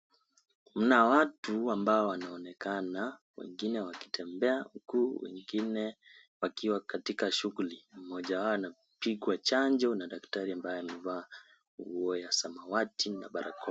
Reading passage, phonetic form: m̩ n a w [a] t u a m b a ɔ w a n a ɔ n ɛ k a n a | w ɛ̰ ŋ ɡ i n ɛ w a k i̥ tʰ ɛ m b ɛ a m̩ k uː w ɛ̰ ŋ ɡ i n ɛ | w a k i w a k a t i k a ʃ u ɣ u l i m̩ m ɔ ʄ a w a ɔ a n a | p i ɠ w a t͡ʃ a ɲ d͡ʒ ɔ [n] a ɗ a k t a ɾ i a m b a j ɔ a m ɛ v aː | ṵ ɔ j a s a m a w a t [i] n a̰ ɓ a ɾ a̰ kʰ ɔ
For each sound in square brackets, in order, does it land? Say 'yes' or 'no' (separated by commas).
yes, yes, yes